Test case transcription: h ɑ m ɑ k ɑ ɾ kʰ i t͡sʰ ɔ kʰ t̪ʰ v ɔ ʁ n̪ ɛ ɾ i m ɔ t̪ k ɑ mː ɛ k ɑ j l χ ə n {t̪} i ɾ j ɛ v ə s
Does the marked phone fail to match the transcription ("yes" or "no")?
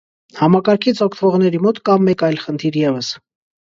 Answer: yes